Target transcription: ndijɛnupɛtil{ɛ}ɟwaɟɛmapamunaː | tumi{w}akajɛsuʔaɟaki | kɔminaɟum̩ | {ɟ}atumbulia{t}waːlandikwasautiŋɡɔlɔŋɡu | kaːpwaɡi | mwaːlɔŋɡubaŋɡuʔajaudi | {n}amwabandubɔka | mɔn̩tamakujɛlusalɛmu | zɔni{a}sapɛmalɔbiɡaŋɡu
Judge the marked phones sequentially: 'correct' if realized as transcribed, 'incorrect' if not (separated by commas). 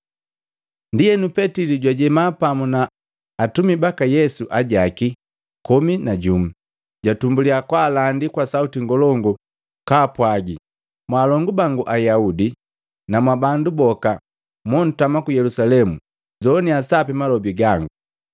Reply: incorrect, incorrect, correct, incorrect, correct, correct